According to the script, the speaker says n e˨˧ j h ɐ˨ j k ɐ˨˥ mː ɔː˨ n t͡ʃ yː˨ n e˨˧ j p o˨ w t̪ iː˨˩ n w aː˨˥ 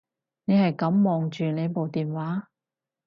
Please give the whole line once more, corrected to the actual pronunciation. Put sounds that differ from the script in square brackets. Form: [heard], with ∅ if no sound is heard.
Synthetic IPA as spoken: n e˨˧ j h ɐ˨ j k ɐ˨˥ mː ɔː˨ [ŋ] t͡ʃ yː˨ n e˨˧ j p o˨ w t̪ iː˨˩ n w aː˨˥